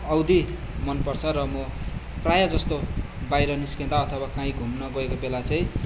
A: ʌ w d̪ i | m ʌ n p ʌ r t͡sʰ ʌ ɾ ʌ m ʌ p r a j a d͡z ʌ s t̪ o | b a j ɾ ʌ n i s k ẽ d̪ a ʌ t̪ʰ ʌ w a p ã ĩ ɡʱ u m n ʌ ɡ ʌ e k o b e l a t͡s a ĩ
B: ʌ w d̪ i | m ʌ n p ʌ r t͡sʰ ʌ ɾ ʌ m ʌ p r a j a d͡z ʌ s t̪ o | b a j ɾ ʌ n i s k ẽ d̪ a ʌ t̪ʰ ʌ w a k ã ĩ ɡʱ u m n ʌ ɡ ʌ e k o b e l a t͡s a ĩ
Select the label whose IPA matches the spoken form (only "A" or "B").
B